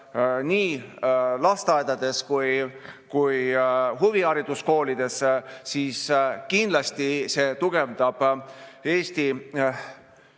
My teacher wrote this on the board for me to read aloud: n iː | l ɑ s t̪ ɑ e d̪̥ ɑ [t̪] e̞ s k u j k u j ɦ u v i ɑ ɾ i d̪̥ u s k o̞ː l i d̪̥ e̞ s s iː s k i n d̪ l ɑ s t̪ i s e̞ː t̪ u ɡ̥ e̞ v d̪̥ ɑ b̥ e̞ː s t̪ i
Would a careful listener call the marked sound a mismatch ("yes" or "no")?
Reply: yes